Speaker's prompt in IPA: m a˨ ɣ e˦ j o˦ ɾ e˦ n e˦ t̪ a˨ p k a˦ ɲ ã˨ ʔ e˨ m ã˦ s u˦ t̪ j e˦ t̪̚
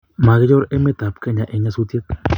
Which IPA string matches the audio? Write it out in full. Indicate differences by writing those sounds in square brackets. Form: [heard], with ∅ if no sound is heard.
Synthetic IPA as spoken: m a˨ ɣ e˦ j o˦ ɾ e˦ [m] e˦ t̪ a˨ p k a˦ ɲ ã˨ ʔ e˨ [ɲ] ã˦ s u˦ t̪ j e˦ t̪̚